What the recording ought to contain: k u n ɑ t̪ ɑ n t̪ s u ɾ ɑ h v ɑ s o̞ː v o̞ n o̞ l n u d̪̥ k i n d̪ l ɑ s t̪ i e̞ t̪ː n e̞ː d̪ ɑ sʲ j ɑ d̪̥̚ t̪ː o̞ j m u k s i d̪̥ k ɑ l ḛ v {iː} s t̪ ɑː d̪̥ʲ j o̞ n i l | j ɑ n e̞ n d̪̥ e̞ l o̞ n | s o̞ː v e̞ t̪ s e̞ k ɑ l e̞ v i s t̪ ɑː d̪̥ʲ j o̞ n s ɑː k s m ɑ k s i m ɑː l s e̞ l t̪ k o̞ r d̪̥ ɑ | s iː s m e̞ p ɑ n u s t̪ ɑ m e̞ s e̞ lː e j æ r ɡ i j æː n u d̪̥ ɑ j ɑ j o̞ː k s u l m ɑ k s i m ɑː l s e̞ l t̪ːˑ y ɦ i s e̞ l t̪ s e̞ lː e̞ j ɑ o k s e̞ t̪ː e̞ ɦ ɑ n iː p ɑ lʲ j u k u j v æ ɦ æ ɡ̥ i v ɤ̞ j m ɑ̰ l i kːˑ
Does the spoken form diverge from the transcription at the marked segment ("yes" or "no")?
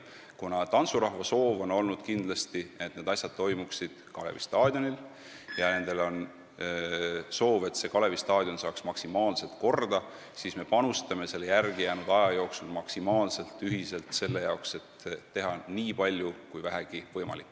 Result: yes